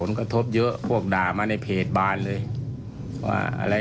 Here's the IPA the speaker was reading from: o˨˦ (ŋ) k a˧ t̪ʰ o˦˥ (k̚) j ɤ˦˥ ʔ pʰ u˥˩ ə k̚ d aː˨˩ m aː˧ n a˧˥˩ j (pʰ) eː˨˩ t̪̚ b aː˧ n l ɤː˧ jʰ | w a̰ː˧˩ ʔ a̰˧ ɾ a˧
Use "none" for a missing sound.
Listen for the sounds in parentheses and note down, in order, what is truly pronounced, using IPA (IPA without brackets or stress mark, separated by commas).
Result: n, p̚, pʰ